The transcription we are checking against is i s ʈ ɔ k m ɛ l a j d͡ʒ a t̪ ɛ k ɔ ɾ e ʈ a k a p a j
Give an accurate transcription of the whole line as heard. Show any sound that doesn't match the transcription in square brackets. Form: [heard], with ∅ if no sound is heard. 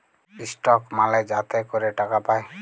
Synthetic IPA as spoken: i s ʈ ɔ k m [a] l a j d͡ʒ a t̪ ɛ k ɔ ɾ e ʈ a k a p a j